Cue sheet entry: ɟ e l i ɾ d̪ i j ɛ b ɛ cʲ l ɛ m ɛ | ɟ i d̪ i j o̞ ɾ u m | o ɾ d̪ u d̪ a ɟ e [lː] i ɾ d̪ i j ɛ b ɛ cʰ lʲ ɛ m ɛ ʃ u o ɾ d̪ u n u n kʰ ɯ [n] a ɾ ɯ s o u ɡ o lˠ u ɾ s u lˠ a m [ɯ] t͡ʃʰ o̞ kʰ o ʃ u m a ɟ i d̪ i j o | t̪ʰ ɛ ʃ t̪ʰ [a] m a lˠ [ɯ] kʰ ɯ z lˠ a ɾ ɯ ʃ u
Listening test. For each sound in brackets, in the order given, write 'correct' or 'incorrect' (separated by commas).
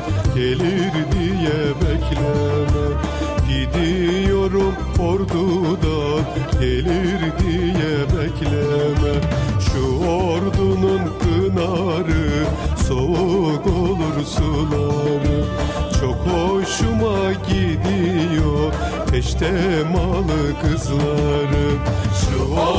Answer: incorrect, correct, correct, incorrect, correct